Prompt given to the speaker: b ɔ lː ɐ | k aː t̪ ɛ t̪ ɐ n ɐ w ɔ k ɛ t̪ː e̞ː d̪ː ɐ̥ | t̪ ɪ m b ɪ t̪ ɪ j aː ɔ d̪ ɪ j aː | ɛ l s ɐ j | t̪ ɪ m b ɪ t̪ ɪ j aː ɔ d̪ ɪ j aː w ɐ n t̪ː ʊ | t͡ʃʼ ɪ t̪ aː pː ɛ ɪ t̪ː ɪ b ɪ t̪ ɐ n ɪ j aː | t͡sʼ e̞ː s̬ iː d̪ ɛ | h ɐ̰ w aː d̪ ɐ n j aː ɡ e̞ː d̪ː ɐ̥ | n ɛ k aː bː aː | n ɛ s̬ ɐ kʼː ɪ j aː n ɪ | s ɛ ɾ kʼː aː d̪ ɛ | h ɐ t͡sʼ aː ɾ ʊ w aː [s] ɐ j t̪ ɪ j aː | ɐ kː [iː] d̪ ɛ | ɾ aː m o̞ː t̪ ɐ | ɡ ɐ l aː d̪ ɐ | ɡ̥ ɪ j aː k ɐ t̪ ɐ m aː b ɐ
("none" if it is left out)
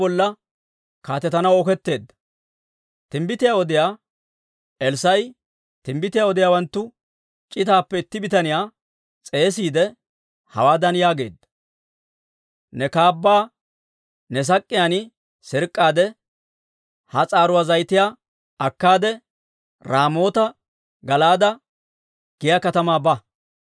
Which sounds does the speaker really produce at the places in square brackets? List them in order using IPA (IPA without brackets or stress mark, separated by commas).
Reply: z, aː